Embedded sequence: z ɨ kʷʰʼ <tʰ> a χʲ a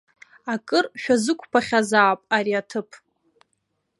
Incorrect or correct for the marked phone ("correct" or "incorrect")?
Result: incorrect